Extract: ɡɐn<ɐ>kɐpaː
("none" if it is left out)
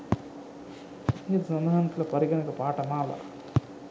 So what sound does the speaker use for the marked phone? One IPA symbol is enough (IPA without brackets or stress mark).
ɐ